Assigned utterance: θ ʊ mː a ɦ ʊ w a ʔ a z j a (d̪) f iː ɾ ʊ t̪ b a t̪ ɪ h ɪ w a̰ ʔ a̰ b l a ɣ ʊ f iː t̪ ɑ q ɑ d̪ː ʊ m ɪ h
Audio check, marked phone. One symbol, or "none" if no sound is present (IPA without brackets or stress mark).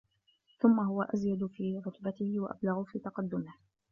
d̪